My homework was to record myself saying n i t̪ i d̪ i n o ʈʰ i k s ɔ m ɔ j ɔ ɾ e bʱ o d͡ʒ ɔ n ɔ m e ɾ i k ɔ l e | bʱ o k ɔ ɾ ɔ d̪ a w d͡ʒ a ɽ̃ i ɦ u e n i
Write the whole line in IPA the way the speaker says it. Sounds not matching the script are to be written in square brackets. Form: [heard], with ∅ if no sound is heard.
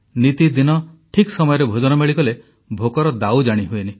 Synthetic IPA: n i t̪ i d̪ i n [ɔ] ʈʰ i k s ɔ m ɔ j ɔ ɾ e bʱ o d͡ʒ ɔ n ɔ m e [ɭ] i k ɔ l e | bʱ o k ɔ ɾ ɔ d̪ a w d͡ʒ a ɽ̃ i ɦ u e n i